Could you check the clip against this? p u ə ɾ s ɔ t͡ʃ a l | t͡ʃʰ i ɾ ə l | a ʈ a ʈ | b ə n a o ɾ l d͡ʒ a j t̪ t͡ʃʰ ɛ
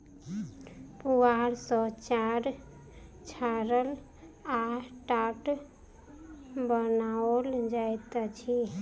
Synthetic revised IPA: p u a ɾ s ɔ t͡ʃ a ɾ | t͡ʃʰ a ɾ ə l | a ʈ a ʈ | b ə n a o l d͡ʒ a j t̪ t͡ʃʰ i